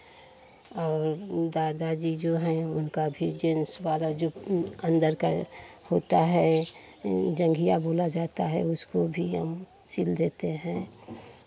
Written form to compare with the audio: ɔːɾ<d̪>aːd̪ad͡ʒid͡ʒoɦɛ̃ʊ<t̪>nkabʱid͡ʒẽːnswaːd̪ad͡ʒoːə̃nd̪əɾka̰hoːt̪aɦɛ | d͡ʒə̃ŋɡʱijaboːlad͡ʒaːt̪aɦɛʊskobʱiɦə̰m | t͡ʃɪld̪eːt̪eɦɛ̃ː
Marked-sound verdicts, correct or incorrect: correct, incorrect

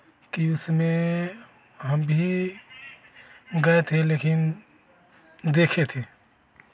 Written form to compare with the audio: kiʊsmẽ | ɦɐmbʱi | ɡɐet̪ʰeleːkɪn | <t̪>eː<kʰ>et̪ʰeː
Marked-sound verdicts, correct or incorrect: incorrect, correct

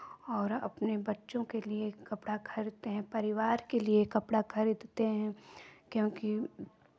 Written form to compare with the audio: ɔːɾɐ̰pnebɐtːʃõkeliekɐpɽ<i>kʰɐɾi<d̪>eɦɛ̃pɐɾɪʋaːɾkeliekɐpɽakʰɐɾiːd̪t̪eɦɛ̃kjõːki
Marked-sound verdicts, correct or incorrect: incorrect, incorrect

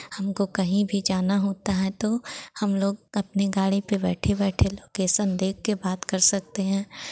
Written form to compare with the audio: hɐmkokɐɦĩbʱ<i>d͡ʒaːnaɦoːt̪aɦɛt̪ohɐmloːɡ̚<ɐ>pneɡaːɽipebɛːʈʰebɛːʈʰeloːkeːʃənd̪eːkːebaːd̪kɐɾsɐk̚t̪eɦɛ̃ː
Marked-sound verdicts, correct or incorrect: correct, correct

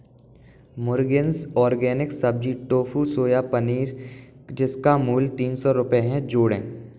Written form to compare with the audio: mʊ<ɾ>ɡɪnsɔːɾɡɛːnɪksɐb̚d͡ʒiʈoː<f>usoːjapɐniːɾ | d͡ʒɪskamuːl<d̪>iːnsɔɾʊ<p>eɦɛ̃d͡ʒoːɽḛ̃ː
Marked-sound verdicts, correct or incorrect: correct, correct, incorrect, correct

